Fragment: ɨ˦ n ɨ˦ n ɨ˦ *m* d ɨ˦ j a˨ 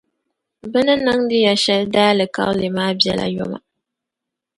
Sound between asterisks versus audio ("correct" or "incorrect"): incorrect